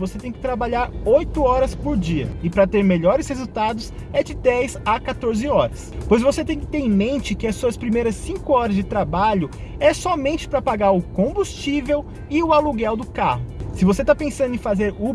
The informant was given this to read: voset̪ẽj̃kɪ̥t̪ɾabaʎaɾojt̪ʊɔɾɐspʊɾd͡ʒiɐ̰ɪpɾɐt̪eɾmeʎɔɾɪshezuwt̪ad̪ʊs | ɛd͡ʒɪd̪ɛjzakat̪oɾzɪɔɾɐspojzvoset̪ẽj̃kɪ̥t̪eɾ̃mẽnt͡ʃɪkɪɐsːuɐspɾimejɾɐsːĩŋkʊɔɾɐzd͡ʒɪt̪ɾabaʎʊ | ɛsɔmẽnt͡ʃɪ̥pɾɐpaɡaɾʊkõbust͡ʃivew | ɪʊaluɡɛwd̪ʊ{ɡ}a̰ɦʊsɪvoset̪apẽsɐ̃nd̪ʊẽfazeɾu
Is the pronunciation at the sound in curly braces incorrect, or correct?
incorrect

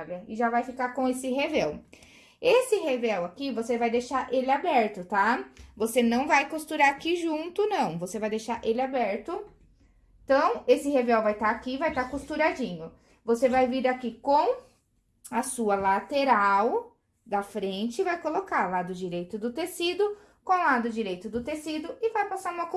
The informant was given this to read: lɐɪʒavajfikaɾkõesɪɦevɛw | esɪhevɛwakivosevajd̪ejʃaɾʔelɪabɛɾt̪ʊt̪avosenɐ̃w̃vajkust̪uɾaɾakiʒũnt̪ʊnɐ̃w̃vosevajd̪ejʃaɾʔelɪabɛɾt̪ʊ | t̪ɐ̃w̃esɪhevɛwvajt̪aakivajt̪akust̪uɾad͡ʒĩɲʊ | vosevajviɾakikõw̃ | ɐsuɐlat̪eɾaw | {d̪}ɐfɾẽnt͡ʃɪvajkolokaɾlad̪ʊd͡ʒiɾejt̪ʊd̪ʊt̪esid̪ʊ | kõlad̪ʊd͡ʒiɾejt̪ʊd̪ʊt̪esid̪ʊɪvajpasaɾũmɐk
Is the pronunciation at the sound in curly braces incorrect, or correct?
correct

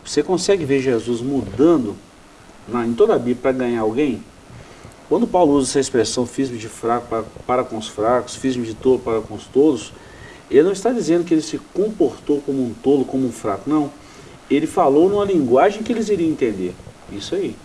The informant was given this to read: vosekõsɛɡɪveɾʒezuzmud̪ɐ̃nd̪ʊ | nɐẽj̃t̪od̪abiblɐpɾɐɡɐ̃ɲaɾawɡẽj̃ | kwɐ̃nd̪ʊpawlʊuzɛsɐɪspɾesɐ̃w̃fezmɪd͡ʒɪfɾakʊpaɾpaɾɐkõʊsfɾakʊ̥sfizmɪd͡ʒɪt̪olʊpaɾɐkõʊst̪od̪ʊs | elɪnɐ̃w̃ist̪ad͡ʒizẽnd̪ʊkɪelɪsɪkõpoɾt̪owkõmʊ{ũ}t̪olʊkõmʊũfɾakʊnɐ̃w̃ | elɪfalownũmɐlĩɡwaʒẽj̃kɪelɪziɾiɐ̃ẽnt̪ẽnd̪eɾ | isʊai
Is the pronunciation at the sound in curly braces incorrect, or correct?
correct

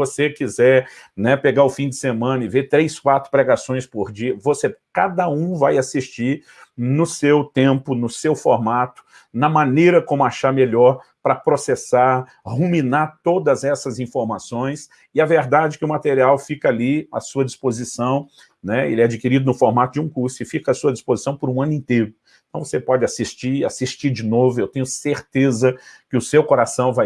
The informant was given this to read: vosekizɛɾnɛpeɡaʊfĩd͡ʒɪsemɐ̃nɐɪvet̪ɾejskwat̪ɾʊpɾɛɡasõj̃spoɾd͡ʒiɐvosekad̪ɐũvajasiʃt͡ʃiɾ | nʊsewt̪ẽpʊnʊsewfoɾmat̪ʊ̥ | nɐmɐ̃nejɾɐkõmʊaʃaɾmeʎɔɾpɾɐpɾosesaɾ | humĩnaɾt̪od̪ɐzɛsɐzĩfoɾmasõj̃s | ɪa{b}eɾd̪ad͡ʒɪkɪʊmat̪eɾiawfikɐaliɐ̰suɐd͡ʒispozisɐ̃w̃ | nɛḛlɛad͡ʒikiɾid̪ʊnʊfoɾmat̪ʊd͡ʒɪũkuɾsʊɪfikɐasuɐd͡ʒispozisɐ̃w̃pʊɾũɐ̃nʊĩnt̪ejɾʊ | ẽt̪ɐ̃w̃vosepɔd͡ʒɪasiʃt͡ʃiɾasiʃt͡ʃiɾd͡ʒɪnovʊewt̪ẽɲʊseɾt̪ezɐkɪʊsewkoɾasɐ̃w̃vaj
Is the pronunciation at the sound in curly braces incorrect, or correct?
incorrect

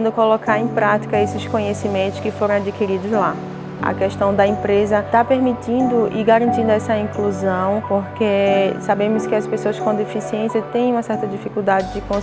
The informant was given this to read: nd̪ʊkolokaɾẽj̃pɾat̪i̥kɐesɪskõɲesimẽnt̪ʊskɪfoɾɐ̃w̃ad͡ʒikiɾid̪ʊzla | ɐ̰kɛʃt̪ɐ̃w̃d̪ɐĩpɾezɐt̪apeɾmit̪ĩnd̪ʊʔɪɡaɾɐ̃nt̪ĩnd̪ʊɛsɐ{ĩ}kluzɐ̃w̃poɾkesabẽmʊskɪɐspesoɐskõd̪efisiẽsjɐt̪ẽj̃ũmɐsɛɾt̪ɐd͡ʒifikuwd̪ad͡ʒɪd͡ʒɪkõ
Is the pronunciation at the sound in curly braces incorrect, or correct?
correct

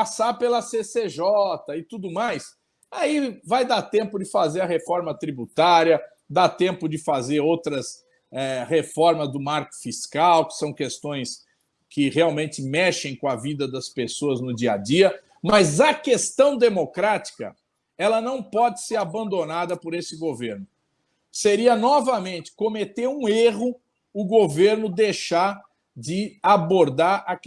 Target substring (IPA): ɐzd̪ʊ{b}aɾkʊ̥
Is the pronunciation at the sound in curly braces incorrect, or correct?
incorrect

